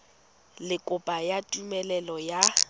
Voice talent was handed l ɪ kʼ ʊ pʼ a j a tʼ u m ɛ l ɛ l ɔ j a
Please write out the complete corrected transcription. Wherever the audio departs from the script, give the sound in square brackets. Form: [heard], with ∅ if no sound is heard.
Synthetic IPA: l ɪ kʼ ʊ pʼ a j a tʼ u m ɛ l ɛ l ɔ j a